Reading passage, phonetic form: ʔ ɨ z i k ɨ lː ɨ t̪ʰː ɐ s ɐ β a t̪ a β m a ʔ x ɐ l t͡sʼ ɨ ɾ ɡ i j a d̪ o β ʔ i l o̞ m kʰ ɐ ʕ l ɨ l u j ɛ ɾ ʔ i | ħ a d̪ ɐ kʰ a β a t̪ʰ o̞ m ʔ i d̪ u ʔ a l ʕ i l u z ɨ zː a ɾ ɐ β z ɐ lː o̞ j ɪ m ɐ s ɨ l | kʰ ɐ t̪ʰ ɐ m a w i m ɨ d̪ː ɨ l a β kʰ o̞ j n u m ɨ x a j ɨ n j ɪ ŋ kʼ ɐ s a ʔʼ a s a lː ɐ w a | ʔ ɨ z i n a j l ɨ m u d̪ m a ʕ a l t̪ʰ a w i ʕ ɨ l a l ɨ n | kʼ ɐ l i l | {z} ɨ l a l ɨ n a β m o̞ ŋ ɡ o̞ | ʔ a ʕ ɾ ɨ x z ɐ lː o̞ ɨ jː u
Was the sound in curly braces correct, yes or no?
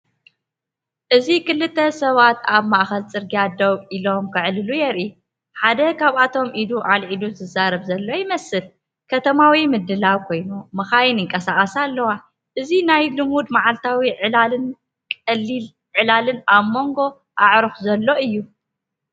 no